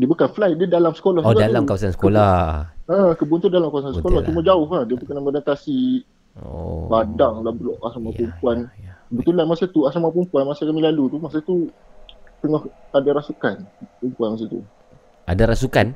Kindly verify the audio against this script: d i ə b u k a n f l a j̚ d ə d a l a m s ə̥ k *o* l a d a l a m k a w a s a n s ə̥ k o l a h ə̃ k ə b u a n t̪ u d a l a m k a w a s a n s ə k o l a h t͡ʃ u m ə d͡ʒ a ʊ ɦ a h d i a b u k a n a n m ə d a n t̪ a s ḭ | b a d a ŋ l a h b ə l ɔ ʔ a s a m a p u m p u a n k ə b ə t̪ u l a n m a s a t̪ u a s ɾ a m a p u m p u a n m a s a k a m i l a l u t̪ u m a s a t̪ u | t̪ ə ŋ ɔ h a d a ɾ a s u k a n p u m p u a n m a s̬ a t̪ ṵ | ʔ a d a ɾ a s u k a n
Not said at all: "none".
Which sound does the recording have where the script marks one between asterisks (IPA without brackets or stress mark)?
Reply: o